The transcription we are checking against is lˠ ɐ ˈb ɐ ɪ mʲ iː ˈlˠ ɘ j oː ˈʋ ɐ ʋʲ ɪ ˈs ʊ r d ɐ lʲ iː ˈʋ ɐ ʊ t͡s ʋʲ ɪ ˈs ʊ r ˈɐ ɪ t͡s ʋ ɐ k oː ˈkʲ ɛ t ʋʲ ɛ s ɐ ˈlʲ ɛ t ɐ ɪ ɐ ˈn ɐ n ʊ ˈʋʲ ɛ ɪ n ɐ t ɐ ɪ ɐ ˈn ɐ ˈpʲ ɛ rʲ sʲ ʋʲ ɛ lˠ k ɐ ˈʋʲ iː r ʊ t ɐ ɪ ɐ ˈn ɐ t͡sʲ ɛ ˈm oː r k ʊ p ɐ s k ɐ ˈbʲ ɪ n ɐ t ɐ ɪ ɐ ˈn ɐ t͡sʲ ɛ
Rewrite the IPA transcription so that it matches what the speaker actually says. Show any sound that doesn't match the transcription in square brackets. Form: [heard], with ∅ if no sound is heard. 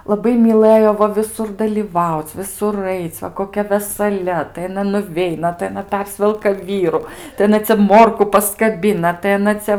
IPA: lˠ ɐ ˈb ɐ ɪ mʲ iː ˈlˠ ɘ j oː ˈʋ ɐ ʋʲ ɪ ˈs ʊ r d ɐ lʲ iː ˈʋ ɐ ʊ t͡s ʋʲ ɪ ˈs ʊ r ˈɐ ɪ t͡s ʋ ɐ k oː ˈkʲ ɛ [∅] ʋʲ ɛ s ɐ ˈlʲ ɛ t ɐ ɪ ɐ ˈn ɐ n ʊ ˈʋʲ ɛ ɪ n ɐ t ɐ ɪ ɐ ˈn ɐ ˈpʲ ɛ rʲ sʲ ʋʲ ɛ lˠ k ɐ ˈʋʲ iː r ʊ t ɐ ɪ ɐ ˈn ɐ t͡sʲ ɛ ˈm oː r k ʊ p ɐ s k ɐ ˈbʲ ɪ n ɐ t ɐ ɪ ɐ ˈn ɐ t͡sʲ ɛ